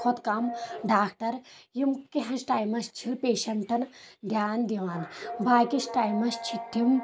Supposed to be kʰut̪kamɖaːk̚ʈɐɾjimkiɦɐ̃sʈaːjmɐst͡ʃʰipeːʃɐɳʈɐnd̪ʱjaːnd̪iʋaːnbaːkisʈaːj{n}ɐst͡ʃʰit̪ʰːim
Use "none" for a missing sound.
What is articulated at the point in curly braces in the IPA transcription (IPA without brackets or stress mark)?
m